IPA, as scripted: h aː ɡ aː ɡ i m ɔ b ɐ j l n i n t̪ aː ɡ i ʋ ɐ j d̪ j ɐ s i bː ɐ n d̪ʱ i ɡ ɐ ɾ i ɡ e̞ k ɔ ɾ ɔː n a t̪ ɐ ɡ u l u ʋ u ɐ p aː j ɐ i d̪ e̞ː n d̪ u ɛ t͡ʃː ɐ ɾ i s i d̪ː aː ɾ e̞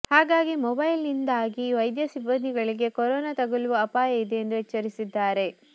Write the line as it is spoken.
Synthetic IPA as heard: h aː ɡ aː ɡ i m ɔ b ɐ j l n i n d̪ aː ɡ i ʋ ɐ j d̪ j ɐ s i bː ɐ n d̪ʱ i ɡ ɐ ɭ i ɡ e̞ k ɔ ɾ ɔː n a t̪ ɐ ɡ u l u ʋ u ɐ p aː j ɐ i d̪ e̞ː n d̪ u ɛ t͡ʃː ɐ ɾ i s i d̪ː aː ɾ e̞